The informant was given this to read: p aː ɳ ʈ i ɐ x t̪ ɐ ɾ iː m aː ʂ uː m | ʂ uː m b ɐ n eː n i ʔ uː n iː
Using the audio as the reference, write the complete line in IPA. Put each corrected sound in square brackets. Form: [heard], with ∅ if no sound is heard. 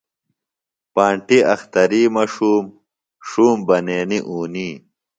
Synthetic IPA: p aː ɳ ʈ i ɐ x t̪ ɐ ɾ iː m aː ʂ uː m | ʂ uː m b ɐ n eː n i ʔ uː n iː

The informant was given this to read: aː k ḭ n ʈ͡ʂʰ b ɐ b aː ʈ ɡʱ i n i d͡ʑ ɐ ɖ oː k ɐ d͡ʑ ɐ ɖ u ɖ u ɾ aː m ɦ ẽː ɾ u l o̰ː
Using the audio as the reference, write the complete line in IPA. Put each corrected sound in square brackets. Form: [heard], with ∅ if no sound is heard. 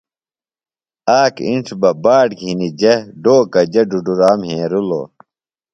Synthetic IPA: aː k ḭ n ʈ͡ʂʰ b ɐ b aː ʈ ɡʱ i n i d͡ʑ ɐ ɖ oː k ɐ d͡ʑ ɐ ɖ u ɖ u ɾ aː m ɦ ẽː ɾ u l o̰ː

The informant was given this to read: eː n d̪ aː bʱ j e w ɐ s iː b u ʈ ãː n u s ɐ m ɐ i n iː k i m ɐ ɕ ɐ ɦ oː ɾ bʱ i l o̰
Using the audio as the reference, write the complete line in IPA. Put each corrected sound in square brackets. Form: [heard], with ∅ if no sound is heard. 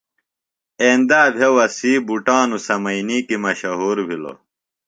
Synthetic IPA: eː n d̪ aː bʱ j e w ɐ s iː b u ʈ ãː n u s ɐ m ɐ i n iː k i m ɐ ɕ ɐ ɦ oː ɾ bʱ i l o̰

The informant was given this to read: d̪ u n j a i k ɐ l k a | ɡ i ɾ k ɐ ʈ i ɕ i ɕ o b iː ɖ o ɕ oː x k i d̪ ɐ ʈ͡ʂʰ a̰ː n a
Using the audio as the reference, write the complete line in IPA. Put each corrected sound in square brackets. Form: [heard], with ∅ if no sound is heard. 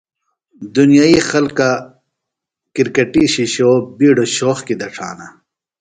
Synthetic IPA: d̪ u n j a i [x] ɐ l k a | [k] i ɾ k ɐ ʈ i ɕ i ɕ o b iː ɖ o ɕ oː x k i d̪ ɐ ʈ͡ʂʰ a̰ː n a

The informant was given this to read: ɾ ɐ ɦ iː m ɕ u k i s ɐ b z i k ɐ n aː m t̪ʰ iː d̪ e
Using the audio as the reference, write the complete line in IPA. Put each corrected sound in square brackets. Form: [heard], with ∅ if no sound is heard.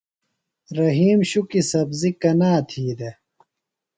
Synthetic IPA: ɾ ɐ ɦ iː m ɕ u k i s ɐ b z i k ɐ n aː [∅] t̪ʰ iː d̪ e

